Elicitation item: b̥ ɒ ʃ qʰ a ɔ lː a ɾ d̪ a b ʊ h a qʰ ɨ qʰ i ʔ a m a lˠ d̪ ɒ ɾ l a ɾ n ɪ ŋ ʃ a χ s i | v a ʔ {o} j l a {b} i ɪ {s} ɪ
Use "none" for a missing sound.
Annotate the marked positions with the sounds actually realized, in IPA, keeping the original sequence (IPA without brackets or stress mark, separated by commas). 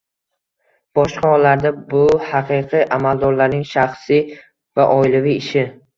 ɒ, v, ʃ